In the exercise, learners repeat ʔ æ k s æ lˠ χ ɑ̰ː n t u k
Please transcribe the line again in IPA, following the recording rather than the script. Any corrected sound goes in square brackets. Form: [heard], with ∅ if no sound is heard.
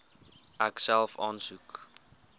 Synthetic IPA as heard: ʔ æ k s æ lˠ [f] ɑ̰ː n [s] u k